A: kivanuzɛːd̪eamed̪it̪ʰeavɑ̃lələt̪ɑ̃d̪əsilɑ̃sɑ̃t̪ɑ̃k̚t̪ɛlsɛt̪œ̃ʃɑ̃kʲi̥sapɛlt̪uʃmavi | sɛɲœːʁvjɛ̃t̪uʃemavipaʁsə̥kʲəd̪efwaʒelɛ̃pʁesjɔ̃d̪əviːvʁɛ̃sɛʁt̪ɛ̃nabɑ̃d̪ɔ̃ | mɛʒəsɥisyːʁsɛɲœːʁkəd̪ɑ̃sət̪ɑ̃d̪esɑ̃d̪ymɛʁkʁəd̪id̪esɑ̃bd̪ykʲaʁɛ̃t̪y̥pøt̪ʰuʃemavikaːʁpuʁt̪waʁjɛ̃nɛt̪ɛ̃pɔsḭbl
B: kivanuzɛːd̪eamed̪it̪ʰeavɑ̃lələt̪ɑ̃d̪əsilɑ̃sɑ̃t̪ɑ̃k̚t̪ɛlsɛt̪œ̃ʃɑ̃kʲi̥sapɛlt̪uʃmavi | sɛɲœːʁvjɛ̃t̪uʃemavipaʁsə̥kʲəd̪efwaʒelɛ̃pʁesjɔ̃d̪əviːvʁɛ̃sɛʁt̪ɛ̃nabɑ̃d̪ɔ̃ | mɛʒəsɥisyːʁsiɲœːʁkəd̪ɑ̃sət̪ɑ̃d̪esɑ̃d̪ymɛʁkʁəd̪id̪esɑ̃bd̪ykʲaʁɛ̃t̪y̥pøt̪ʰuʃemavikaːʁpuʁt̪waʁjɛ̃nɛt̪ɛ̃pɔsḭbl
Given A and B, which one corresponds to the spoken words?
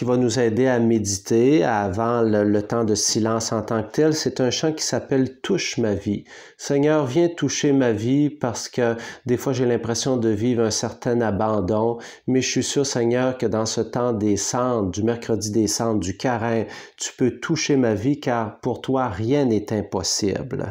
A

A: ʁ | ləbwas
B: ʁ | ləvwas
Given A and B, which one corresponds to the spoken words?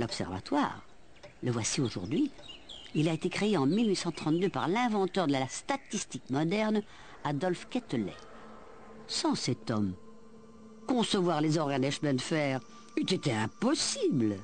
B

